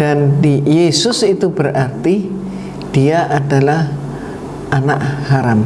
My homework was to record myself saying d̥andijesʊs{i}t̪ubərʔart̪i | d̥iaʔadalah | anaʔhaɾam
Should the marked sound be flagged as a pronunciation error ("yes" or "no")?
no